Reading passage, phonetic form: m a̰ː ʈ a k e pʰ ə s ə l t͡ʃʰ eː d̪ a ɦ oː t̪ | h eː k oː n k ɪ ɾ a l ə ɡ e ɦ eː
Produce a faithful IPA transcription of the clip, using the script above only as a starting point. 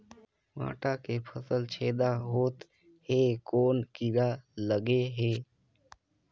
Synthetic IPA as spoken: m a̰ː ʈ a k e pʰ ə s ə l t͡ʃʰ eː d̪ a ɦ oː t̪ | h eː k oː n k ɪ ɾ a l ə ɡ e ɦ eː